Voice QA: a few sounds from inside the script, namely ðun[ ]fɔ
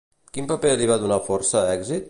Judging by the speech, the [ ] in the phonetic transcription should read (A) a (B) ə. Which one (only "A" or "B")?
A